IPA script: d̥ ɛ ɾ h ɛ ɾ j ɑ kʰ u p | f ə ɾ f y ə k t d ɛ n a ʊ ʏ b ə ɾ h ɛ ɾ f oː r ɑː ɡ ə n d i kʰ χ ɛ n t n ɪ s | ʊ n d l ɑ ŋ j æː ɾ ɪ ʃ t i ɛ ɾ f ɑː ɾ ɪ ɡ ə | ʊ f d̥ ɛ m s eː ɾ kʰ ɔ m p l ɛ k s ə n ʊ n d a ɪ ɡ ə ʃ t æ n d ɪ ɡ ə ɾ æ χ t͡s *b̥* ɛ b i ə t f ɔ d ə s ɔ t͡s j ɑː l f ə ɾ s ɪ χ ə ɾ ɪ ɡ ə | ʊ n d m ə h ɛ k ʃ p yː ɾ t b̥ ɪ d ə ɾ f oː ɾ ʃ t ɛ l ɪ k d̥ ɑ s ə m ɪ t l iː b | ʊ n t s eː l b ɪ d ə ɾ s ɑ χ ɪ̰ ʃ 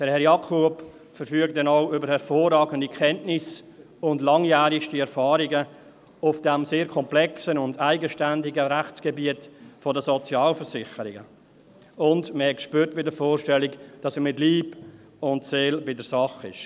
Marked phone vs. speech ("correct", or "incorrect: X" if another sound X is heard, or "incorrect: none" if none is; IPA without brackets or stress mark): incorrect: ɡ̥